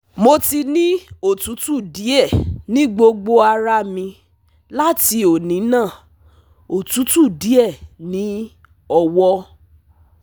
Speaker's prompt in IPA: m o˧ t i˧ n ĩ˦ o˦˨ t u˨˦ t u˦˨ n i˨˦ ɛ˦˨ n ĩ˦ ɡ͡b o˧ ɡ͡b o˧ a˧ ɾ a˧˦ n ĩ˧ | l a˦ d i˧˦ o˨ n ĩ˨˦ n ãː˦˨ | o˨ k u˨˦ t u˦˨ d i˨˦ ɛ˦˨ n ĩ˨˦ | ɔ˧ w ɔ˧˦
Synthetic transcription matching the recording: m o˧ t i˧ n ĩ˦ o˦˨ t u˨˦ t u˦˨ d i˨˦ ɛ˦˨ n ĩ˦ ɡ͡b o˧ ɡ͡b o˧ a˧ ɾ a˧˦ m ĩ˧ | l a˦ t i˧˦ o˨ n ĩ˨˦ n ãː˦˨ | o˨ t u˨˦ t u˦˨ d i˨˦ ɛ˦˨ n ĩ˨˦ | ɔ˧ w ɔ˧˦